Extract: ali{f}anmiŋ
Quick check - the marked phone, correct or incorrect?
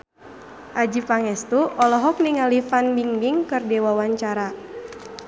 correct